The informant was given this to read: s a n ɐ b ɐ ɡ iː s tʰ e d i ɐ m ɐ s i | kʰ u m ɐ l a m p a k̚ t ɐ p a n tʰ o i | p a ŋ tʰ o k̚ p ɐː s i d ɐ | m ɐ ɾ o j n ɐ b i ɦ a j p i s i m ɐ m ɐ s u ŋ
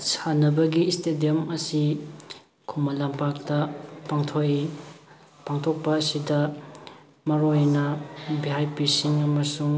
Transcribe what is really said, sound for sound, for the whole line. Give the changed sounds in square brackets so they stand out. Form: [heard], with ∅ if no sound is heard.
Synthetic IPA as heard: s a n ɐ b ɐ ɡ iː s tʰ e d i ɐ m ɐ s i | kʰ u m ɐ l a m p a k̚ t ɐ p a [ŋ] tʰ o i | p a ŋ tʰ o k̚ p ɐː s i d ɐ | m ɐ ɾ o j n ɐ b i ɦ a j p i s i [ŋ] ɐ m ɐ s u ŋ